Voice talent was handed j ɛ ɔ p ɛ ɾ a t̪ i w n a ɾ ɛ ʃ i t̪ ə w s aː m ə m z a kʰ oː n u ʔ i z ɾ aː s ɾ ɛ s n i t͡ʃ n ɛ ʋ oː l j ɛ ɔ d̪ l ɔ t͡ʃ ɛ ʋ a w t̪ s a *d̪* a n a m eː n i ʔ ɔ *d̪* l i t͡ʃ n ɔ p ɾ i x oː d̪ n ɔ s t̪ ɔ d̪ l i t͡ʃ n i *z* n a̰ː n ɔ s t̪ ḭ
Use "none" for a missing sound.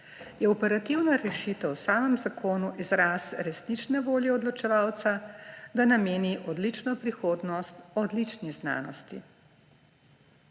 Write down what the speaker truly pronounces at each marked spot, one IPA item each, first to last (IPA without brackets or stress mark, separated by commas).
d̪, d̪, z